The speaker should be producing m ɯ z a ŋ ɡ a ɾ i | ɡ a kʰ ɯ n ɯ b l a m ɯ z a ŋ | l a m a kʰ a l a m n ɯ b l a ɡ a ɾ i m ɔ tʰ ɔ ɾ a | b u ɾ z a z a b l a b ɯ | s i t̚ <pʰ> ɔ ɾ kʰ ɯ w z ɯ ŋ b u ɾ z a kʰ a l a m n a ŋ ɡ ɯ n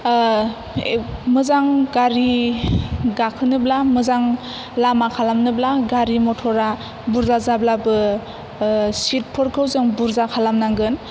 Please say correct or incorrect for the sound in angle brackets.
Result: correct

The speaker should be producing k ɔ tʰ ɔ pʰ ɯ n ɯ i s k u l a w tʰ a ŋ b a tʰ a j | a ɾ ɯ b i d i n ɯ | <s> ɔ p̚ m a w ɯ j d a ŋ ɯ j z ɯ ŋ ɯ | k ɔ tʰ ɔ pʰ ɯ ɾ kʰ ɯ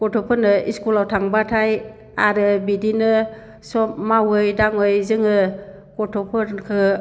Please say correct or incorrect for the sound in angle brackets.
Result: correct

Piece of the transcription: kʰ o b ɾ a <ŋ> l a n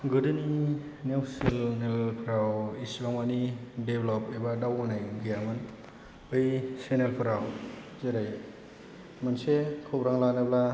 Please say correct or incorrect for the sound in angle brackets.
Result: correct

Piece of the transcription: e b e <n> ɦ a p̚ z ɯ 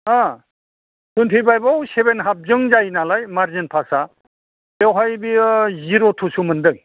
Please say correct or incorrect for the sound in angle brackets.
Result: correct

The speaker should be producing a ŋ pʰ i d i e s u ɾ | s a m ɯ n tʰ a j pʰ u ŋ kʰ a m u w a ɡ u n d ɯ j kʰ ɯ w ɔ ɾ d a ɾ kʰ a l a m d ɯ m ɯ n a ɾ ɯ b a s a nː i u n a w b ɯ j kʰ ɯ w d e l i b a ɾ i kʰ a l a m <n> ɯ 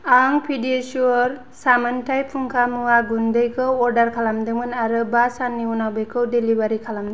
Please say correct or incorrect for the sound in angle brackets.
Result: incorrect: d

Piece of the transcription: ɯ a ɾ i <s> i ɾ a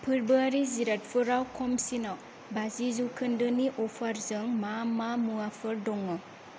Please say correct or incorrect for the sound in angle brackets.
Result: incorrect: z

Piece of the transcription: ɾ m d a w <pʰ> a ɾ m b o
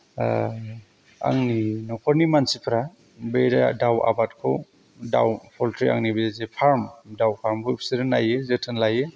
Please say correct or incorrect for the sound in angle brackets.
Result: correct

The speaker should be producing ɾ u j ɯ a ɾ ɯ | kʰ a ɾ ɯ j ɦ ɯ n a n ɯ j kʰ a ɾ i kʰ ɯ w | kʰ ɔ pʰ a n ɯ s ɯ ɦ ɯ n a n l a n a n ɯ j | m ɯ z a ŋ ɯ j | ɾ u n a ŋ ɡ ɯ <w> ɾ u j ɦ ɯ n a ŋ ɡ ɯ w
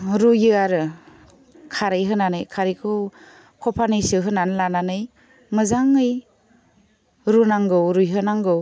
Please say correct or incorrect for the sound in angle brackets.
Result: correct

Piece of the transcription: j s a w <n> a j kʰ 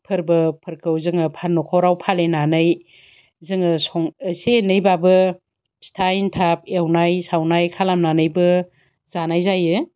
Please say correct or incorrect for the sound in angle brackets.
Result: correct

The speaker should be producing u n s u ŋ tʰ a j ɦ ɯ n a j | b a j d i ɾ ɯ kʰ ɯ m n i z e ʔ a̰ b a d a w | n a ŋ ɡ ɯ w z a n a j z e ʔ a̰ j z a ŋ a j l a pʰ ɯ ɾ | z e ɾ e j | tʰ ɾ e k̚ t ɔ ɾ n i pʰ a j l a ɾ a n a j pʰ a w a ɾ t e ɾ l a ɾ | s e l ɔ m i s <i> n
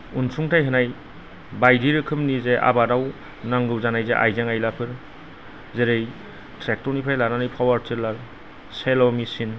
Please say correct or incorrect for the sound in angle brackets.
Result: correct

